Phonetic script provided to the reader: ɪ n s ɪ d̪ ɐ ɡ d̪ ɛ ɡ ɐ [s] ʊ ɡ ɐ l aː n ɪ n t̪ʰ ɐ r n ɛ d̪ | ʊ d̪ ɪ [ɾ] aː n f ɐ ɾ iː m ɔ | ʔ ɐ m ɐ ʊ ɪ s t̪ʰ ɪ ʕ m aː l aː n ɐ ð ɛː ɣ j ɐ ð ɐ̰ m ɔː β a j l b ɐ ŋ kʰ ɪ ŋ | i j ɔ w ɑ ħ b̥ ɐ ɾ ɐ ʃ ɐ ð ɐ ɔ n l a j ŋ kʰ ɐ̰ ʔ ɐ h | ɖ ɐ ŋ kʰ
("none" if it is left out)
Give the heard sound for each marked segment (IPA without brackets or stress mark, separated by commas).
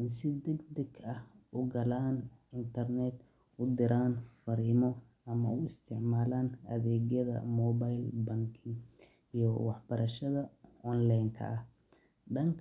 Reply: h, ɾ